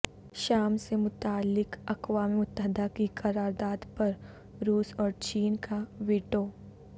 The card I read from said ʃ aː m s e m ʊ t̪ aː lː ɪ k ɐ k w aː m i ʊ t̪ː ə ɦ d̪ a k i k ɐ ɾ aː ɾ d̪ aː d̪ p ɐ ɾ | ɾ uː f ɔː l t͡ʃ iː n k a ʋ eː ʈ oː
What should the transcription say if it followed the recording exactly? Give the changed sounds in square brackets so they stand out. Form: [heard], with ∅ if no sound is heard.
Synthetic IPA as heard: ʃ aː m s e m ʊ t̪ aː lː ɪ k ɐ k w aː m i ʊ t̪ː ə ɦ d̪ a k i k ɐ ɾ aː ɾ d̪ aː d̪ p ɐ ɾ | ɾ uː [s] ɔː [ɾ] t͡ʃ iː n k a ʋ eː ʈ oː